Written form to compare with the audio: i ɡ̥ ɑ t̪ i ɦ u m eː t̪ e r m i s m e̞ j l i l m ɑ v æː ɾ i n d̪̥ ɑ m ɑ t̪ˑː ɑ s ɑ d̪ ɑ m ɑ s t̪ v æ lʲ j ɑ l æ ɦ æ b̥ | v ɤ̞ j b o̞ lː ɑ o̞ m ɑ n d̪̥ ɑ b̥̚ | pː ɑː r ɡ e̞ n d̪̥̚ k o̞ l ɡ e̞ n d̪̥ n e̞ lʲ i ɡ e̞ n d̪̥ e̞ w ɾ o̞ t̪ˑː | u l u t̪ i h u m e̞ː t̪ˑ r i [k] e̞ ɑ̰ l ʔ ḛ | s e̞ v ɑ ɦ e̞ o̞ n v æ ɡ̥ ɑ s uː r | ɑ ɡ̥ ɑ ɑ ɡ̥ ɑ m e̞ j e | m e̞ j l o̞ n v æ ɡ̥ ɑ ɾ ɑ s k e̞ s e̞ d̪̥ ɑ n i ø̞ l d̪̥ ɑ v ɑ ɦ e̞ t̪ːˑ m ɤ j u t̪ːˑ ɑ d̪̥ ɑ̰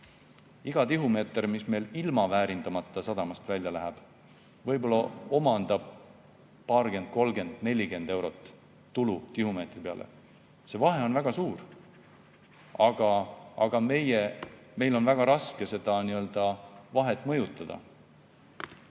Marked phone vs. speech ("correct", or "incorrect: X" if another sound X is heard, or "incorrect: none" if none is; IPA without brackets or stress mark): incorrect: p